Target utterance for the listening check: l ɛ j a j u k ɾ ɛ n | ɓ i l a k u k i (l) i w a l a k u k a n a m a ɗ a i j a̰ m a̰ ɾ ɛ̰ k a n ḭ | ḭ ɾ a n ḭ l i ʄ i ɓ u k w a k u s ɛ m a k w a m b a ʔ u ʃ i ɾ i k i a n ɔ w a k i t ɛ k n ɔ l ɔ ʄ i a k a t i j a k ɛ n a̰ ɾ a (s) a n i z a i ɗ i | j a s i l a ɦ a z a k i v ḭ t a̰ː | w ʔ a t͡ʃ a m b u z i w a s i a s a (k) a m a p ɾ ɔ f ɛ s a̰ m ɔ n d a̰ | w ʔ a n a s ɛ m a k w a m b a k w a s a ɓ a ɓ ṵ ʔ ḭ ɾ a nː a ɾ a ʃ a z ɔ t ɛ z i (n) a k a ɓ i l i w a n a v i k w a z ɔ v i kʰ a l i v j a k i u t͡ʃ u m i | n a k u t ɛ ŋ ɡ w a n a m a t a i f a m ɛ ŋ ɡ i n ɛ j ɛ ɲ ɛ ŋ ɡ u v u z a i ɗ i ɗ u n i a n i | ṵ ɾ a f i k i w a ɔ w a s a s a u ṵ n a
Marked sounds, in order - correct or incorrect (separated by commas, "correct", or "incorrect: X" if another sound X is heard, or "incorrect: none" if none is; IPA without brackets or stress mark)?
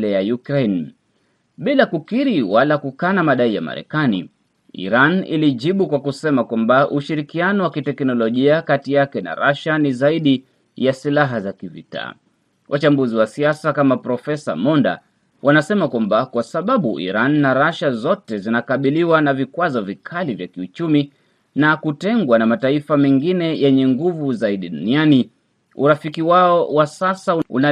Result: incorrect: ɾ, incorrect: ʃ, correct, correct